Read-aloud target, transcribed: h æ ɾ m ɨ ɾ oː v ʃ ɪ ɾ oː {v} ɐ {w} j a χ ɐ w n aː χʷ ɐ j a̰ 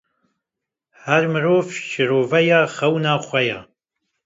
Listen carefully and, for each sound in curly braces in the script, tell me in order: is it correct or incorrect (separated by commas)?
correct, incorrect